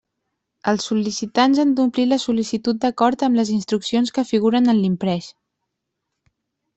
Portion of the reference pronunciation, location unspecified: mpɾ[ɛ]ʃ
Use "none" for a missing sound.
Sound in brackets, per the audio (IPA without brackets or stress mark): ɛ